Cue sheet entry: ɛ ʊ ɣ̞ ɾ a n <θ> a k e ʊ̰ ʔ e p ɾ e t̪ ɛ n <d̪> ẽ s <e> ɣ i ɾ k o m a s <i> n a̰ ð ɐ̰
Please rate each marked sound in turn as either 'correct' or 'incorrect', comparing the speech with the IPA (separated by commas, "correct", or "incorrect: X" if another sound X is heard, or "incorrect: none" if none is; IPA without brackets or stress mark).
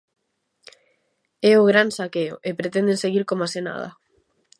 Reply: incorrect: s, correct, correct, incorrect: e